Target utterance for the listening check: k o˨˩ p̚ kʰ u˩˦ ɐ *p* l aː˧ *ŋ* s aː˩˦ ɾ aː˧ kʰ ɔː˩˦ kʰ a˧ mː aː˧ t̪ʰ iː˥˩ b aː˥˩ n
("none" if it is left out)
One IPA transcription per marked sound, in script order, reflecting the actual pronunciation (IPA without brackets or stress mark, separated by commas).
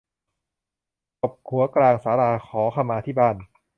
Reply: k, ŋ